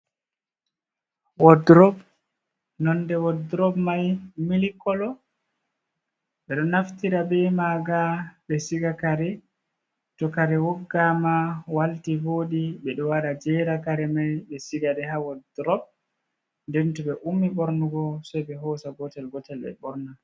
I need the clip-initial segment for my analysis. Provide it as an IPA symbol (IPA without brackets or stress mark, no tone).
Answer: w